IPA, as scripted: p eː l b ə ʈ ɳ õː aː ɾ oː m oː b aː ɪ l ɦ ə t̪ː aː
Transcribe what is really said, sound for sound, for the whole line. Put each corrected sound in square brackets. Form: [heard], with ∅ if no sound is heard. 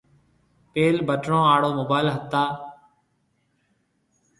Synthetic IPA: p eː l b ə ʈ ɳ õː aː [ɽ] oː m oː b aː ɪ l ɦ ə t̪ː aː

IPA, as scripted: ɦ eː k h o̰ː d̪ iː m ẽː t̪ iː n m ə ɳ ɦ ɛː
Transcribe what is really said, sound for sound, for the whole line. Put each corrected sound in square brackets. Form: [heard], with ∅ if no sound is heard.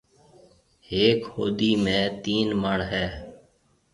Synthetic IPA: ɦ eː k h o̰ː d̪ iː m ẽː t̪ iː n m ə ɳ ɦ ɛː

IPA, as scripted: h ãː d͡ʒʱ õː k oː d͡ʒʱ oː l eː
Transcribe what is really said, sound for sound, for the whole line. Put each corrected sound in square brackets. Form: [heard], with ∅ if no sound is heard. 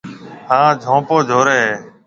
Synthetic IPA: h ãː d͡ʒʱ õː [p] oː d͡ʒʱ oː [ɾ] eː

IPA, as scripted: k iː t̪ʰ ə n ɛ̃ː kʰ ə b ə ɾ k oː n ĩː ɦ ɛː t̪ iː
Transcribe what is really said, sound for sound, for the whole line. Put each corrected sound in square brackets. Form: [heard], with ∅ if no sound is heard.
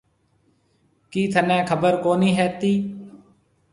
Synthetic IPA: k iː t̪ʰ ə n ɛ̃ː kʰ ə b ə ɾ k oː n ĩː ɦ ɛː t̪ iː

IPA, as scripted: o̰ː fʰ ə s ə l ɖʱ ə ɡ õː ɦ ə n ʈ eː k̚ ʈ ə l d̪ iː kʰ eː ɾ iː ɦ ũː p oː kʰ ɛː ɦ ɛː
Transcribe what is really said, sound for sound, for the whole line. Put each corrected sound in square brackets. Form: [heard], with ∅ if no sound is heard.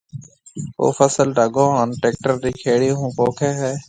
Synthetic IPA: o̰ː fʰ ə s ə l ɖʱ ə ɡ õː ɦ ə n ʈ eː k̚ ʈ ə [ɾ] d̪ iː kʰ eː [ɽ] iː ɦ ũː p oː kʰ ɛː ɦ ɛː

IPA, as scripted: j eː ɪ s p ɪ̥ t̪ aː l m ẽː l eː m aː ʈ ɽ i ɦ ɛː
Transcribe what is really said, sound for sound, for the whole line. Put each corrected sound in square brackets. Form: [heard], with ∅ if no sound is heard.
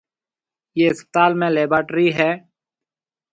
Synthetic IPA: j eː ɪ s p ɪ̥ t̪ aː l m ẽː l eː [b] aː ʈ [ɾ] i ɦ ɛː

